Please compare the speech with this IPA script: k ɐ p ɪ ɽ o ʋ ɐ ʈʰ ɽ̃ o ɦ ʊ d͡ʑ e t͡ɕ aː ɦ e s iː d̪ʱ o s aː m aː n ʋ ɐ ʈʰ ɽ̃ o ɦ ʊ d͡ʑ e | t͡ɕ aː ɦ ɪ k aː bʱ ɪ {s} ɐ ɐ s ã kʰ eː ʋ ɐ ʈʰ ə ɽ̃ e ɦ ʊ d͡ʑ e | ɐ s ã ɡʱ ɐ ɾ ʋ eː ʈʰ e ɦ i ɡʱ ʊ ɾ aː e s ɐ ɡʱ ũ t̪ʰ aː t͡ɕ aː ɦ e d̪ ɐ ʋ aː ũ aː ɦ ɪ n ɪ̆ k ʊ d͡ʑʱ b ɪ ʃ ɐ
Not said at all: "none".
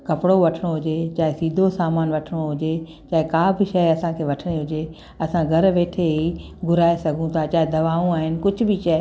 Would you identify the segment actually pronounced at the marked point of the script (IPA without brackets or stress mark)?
ʃ